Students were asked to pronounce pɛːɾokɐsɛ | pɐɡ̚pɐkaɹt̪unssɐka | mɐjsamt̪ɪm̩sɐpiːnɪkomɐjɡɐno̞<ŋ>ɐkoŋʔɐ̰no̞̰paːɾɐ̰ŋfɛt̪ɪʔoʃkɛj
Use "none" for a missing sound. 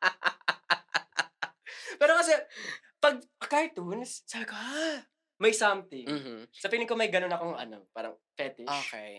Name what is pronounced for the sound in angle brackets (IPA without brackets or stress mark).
n